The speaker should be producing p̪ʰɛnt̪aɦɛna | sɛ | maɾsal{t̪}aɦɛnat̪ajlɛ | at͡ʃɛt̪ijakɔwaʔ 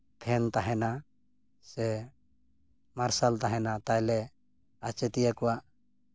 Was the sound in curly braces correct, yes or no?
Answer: yes